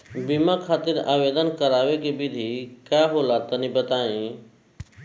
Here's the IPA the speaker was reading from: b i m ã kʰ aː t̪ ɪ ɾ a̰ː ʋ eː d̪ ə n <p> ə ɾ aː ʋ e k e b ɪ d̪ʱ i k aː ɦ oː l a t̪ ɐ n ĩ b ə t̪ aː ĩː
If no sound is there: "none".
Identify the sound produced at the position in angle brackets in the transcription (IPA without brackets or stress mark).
k